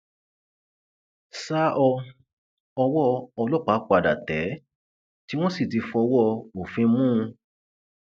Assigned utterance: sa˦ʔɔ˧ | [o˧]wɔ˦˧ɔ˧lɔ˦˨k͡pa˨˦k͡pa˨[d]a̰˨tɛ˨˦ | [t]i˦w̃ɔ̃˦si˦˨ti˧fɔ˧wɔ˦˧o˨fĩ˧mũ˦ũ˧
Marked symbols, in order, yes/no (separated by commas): no, yes, yes